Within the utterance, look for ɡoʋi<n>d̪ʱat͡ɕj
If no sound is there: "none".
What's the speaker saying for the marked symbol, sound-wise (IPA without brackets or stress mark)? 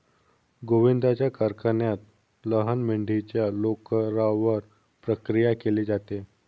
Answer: n